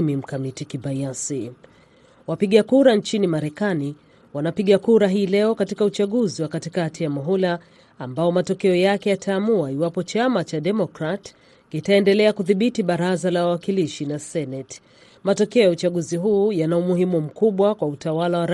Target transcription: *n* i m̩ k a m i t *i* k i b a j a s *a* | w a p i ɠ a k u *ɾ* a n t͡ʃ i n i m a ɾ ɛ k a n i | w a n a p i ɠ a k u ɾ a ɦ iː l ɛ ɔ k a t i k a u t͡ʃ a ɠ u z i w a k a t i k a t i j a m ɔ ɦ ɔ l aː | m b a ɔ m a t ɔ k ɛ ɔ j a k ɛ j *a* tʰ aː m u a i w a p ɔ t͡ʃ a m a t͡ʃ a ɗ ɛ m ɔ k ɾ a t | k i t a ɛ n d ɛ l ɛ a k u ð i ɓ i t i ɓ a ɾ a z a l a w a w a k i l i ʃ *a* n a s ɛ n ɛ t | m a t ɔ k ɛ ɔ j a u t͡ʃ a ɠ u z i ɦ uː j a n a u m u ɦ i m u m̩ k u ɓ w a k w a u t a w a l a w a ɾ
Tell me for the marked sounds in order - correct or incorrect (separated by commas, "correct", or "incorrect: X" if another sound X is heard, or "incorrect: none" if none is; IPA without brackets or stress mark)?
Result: incorrect: m, correct, incorrect: i, correct, correct, incorrect: i